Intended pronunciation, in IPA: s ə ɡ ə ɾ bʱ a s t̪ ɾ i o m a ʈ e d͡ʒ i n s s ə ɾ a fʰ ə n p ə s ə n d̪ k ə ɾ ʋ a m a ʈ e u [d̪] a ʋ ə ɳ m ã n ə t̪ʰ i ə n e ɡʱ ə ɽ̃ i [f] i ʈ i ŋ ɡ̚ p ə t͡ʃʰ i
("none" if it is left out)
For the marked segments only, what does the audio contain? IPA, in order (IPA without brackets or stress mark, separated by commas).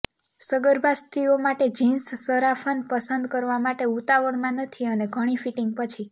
t̪, f